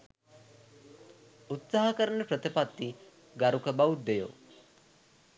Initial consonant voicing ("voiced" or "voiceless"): voiceless